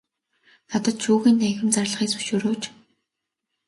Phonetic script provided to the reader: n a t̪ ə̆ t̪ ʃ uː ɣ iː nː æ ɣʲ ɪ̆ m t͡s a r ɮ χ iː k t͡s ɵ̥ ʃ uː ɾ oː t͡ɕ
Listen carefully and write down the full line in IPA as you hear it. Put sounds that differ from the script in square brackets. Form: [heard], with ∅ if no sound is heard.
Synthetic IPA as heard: n a t̪ ə̆ t̪ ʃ uː ɣ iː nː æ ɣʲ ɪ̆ m t͡s a r ɮ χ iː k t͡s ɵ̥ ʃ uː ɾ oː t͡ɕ